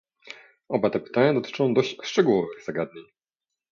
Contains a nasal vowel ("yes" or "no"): yes